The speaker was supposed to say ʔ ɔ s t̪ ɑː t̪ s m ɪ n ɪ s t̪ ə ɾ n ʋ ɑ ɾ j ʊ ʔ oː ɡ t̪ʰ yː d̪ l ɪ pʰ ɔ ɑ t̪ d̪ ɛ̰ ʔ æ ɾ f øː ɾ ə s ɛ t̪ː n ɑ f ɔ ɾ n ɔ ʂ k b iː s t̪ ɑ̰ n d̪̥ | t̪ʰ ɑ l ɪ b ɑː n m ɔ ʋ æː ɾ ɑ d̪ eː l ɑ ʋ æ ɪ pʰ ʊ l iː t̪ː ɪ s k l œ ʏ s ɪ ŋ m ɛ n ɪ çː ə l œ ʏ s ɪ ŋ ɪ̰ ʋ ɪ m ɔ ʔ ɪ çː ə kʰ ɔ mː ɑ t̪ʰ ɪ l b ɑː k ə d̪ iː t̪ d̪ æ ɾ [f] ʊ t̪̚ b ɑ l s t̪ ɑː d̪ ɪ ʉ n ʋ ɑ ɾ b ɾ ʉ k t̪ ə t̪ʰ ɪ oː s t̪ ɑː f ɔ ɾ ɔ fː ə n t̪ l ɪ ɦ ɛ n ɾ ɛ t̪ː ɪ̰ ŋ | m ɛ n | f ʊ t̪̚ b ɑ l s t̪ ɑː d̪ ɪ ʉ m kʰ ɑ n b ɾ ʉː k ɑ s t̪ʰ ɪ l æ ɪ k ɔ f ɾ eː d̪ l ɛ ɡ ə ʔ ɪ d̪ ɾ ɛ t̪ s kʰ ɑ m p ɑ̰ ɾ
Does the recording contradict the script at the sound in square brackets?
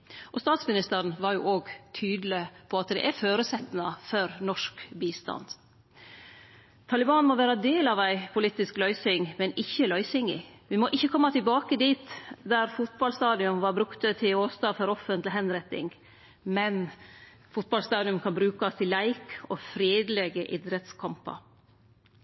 no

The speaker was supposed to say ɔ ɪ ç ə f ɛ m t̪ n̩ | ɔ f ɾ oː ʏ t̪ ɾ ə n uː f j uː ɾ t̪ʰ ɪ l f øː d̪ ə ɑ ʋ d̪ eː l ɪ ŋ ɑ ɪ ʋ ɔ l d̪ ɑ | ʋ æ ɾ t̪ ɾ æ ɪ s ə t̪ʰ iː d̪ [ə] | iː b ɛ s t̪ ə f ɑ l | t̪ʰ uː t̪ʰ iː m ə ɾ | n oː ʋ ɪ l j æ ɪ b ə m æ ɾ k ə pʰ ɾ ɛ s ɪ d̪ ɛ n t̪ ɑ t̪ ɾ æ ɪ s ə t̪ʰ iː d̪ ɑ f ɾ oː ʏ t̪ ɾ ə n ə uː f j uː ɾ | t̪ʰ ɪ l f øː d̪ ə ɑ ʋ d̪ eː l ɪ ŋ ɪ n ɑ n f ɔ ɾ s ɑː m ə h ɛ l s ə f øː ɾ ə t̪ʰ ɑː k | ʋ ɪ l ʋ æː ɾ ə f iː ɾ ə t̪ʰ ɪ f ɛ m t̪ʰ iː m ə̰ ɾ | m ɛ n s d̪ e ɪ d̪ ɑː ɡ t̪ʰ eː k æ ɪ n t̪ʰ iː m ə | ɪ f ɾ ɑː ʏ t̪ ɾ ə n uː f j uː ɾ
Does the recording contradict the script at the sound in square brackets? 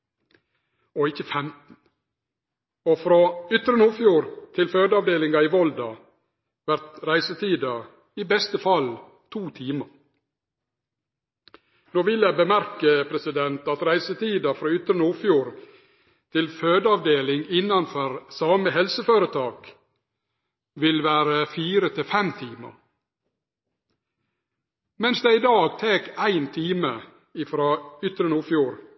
yes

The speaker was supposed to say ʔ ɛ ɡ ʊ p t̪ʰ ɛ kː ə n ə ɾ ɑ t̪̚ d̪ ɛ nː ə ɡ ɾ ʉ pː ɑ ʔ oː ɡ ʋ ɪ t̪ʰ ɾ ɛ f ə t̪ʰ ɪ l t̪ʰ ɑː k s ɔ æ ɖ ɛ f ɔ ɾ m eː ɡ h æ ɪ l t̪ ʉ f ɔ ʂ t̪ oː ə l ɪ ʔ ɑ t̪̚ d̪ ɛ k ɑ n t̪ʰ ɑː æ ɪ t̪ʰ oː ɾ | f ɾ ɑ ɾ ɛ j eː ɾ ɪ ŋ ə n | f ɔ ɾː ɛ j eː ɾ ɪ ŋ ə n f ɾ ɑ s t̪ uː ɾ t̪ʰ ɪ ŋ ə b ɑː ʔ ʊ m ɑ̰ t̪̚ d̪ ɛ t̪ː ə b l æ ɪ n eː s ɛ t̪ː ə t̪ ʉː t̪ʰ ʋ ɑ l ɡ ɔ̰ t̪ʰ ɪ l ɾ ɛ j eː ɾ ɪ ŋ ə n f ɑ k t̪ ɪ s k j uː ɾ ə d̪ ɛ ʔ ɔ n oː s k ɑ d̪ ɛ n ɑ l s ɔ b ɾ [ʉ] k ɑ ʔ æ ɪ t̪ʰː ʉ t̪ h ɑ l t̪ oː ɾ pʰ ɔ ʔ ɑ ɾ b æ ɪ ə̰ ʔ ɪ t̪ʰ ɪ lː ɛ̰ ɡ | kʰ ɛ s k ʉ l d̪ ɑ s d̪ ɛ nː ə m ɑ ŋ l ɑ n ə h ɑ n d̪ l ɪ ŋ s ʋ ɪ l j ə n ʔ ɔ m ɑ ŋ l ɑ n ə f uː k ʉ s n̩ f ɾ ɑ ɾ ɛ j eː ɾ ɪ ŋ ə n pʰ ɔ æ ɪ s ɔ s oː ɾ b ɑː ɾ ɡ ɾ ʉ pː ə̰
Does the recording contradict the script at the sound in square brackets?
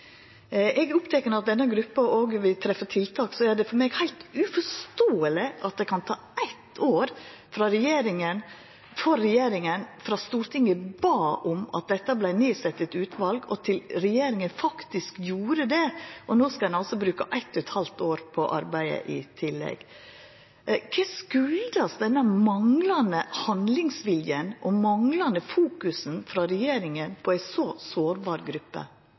yes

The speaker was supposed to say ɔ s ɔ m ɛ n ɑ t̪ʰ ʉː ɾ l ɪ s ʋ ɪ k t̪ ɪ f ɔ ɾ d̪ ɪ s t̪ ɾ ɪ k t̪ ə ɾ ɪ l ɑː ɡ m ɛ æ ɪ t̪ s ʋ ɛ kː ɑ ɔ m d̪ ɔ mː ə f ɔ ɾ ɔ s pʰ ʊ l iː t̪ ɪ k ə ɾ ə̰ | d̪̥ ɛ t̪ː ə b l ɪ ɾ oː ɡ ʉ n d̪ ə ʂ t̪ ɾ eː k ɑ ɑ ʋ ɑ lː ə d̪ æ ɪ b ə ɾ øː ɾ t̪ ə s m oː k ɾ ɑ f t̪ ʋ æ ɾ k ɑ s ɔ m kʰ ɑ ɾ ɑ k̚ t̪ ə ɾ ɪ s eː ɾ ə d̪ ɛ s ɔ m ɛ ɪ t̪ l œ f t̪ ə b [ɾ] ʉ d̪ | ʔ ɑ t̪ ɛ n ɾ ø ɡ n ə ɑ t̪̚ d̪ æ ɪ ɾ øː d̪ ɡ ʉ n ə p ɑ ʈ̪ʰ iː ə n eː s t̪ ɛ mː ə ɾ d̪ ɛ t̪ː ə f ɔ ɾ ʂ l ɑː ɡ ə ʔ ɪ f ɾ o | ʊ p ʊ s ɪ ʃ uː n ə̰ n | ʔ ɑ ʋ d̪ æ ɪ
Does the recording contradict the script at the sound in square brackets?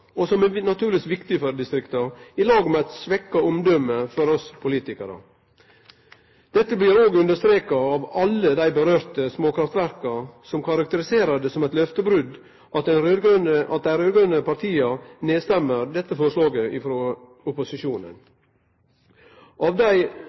no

